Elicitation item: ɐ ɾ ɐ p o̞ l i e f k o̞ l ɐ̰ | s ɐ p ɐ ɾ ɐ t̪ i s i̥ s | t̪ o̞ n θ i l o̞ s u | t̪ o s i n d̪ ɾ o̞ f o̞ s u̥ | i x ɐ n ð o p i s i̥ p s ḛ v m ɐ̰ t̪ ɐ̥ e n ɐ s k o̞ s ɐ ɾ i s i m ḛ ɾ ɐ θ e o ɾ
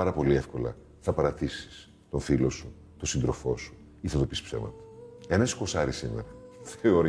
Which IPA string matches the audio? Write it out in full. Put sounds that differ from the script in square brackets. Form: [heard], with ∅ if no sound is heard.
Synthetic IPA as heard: ɐ ɾ ɐ p o̞ l i e f k o̞ l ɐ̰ | [θ] ɐ p ɐ ɾ ɐ t̪ i s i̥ s | t̪ o̞ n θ i l o̞ s u | t̪ o s i n d̪ ɾ o̞ f o̞ s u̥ | i [θ] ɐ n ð o p i s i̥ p s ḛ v m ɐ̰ t̪ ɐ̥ e n ɐ s k o̞ s ɐ ɾ i s i m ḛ ɾ ɐ θ e o ɾ